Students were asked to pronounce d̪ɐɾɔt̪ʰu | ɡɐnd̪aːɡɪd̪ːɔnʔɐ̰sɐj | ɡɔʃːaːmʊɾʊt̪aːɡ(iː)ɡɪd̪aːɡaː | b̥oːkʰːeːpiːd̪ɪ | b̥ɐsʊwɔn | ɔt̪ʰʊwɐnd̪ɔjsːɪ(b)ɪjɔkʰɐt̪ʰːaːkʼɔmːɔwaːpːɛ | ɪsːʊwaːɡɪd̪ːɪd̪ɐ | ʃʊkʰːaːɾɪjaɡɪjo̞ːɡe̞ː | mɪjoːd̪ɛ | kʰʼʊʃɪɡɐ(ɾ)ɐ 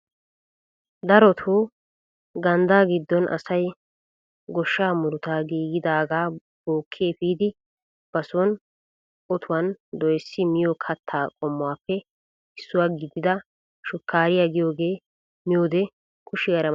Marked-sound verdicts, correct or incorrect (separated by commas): correct, incorrect, correct